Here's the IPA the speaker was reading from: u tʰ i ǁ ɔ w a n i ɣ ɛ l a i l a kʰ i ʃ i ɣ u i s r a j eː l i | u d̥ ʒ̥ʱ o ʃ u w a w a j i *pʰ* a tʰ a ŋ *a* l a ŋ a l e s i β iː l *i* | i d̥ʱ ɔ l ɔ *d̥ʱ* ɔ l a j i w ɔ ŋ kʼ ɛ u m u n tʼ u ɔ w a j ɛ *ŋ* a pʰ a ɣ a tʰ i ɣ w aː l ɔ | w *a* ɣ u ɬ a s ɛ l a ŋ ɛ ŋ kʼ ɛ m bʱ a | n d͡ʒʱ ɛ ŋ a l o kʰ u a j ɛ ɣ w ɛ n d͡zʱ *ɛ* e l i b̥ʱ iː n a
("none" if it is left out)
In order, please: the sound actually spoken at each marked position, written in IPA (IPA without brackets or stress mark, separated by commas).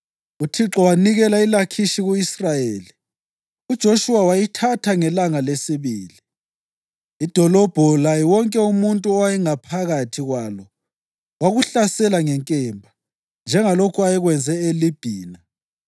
tʰ, ɛ, i, b̥ʱ, ŋ, a, ɛ